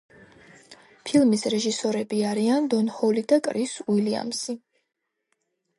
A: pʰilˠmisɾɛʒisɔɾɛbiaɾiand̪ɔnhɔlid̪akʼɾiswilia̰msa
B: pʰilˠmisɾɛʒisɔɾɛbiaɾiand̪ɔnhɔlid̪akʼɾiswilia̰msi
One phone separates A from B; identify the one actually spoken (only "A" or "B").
B